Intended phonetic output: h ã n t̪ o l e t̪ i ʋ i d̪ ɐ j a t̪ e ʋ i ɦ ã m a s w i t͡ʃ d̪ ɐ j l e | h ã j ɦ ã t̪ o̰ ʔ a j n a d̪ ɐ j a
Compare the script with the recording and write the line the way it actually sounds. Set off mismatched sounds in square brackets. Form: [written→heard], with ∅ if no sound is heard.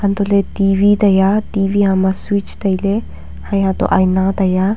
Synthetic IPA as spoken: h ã n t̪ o l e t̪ i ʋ i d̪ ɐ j a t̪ [e→i] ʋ i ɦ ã m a s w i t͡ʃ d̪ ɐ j l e | h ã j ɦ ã t̪ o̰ ʔ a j n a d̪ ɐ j a